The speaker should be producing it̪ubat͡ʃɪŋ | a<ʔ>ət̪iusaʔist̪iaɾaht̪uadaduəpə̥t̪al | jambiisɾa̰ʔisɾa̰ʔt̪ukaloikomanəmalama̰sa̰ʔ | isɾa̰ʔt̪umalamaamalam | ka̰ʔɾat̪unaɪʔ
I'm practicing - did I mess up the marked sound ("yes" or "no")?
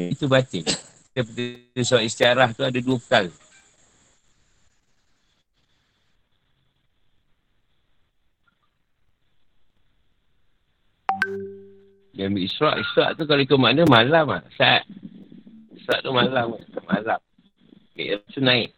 yes